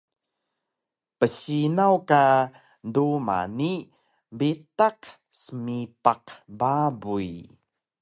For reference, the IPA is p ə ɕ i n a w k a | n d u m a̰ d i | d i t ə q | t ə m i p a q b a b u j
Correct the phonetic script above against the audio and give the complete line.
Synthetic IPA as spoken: p ə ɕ i n a w k a | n d u m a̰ n i | b i t a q | s ə m i p a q b a b u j